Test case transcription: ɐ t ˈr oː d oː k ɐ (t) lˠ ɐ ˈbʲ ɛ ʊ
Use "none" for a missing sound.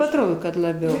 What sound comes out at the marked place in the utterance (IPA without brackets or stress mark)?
t